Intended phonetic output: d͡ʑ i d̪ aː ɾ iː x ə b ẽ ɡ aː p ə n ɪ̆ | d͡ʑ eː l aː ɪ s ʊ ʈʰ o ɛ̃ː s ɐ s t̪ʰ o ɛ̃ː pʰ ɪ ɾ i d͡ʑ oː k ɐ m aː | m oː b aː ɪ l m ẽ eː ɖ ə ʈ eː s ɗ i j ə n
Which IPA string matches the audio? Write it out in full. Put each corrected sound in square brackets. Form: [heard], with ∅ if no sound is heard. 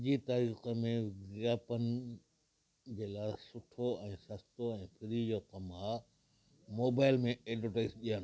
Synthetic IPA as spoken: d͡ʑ i [t̪] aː ɾ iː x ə [m] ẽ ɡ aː p ə n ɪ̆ | d͡ʑ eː l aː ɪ s ʊ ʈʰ o ɛ̃ː s ɐ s [t̪] o ɛ̃ː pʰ ɪ ɾ i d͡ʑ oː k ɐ m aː | m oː b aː ɪ l m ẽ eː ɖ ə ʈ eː s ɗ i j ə n